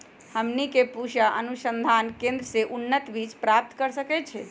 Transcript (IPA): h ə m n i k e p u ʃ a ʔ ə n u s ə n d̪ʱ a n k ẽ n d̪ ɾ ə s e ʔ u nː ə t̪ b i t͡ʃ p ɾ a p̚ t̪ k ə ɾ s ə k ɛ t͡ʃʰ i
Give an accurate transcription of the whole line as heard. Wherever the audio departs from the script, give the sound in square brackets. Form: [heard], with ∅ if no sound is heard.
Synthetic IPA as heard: h ə m n i k e p u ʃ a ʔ ə n u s ə n d̪ʱ a n k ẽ n d̪ ɾ ə s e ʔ u nː ə t̪ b i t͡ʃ p ɾ a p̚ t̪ k ə ɾ s ə k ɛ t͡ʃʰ [ɛ]

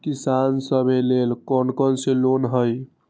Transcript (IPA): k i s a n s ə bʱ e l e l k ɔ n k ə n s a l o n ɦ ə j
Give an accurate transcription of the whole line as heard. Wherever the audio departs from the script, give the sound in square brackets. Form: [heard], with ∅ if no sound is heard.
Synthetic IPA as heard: k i s a n s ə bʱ e l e l k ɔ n k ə n s [e] l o n ɦ ə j

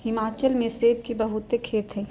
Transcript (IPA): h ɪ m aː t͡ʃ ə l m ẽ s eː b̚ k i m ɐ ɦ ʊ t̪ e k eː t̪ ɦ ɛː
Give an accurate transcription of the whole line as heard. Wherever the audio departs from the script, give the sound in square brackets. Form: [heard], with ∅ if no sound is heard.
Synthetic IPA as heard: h ɪ m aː t͡ʃ ə l m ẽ s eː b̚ k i [b] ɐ ɦ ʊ t̪ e [kʰ] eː t̪ ɦ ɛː

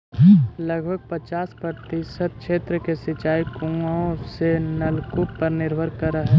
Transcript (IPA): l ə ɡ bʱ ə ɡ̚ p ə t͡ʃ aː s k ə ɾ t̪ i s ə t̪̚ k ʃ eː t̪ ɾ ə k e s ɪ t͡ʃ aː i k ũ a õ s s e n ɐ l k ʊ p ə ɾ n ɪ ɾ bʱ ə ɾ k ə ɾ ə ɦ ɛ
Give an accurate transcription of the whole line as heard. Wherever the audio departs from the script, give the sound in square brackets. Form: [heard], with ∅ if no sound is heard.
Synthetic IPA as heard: l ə ɡ bʱ ə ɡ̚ p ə t͡ʃ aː s [p] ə ɾ t̪ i s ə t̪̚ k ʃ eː t̪ ɾ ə k e s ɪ t͡ʃ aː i k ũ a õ s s e n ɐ l k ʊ p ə ɾ n ɪ ɾ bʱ ə ɾ k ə ɾ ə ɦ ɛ

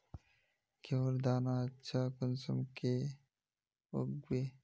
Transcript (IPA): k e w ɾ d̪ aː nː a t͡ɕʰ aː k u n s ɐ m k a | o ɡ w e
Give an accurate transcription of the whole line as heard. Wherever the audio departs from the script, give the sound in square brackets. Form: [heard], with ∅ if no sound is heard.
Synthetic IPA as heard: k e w ɾ d̪ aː [n] a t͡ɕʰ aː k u n s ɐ m k [e] | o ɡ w e

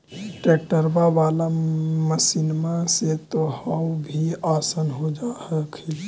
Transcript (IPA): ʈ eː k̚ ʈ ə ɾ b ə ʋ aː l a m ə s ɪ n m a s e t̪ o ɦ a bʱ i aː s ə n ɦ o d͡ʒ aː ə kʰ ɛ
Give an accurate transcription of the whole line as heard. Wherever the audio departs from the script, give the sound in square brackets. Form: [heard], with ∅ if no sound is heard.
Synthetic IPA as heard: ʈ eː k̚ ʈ ə ɾ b [a] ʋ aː l a m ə s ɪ n m a s e t̪ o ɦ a bʱ i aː s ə n ɦ o d͡ʒ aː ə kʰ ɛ

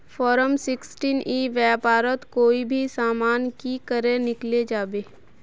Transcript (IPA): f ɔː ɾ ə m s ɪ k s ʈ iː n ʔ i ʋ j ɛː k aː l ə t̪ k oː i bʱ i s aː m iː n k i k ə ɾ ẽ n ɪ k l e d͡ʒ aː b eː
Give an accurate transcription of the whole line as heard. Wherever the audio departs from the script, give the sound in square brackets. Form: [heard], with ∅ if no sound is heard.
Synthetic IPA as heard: f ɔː ɾ ə m s ɪ k s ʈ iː n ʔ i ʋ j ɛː [p] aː [ɾ] ə t̪ k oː i bʱ i s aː m [aː] n k i k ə ɾ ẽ n ɪ k l e d͡ʒ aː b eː

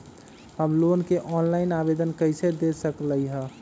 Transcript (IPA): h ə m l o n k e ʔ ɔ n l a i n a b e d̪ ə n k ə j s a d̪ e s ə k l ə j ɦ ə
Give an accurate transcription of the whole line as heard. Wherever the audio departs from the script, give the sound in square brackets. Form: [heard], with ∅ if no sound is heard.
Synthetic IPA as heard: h ə m l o n k e ʔ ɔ n l a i n a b e d̪ ə n k ə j s [e] d̪ e s ə k l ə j ɦ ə

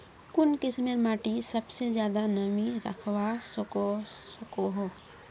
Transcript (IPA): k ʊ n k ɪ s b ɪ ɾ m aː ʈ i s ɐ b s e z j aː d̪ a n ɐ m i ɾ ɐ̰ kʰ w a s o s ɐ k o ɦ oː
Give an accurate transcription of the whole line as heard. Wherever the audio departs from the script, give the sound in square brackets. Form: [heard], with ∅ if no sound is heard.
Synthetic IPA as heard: k ʊ n k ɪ s [m] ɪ ɾ m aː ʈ i s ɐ b s e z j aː d̪ a n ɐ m i ɾ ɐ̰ kʰ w a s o s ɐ k o ɦ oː

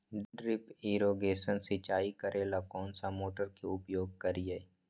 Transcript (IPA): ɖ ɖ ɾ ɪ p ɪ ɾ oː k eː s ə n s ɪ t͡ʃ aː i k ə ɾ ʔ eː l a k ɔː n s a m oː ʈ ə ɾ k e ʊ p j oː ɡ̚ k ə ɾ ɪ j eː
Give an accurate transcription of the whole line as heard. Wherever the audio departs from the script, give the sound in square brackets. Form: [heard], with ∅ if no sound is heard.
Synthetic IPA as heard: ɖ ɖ ɾ ɪ p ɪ ɾ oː [ɡ] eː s ə n s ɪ t͡ʃ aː i k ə ɾ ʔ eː l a k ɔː n s a m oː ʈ ə ɾ k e ʊ p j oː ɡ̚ k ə ɾ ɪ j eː

